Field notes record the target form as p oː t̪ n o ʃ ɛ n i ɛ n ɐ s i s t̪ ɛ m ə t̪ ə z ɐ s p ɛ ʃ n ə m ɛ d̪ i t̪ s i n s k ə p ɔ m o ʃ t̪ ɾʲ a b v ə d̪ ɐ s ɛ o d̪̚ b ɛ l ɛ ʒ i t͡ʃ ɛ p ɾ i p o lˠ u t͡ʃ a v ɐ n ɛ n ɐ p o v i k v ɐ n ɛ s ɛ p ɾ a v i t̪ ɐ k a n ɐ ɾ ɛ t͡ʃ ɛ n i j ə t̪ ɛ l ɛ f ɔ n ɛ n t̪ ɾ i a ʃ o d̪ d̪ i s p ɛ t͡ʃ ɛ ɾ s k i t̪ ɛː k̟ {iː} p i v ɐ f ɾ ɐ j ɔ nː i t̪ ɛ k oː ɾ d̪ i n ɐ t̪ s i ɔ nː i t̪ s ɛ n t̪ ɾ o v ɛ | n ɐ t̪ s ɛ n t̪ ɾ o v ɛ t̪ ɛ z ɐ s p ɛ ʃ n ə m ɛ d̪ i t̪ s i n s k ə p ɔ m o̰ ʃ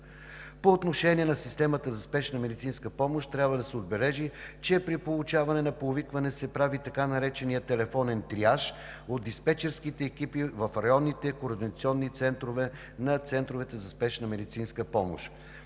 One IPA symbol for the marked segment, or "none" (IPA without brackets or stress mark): i